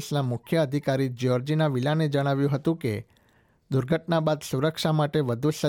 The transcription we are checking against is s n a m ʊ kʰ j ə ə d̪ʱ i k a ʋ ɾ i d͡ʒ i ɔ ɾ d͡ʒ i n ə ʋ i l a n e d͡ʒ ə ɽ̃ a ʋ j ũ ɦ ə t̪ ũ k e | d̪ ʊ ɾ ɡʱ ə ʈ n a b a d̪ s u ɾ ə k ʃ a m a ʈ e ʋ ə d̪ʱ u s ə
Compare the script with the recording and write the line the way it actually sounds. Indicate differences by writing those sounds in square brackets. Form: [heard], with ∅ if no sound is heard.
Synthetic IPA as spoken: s n a m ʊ kʰ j ə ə d̪ʱ i k a [∅] ɾ i d͡ʒ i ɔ ɾ d͡ʒ i n [a] ʋ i l a n e d͡ʒ ə ɽ̃ a ʋ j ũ ɦ ə t̪ ũ k e | d̪ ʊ ɾ ɡʱ ə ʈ n a b a d̪ s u ɾ ə k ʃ a m a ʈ e ʋ ə d̪ʱ u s ə